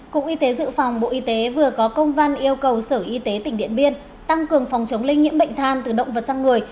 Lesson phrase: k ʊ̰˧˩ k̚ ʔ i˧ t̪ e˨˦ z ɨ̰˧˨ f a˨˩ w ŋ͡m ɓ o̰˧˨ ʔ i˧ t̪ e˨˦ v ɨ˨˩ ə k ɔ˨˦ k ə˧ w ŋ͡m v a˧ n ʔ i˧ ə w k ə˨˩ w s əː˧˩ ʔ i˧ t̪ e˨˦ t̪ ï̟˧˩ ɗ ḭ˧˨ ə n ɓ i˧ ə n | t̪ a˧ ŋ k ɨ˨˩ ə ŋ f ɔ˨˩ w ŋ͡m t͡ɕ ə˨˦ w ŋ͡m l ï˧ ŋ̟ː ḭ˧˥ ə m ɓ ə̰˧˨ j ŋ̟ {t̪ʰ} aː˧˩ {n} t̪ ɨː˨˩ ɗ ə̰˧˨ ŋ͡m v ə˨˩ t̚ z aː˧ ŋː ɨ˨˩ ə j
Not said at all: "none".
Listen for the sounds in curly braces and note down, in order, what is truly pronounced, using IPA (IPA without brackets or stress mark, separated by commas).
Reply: t̪ʰ, n